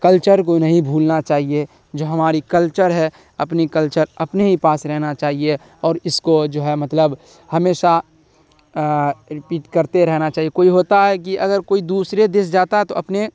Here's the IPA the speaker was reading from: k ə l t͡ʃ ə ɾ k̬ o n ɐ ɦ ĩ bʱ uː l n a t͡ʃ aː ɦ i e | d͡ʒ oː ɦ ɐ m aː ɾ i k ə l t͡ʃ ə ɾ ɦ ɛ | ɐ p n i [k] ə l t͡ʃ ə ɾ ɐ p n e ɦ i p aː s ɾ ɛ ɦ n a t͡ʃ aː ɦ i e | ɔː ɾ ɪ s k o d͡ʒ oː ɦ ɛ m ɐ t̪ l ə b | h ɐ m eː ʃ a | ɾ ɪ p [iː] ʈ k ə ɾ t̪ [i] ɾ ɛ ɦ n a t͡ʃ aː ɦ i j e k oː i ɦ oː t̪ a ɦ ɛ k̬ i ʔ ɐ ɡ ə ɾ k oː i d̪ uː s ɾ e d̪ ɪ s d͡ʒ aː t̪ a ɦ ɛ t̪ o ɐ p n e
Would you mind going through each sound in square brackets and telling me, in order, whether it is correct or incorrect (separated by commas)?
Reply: correct, correct, incorrect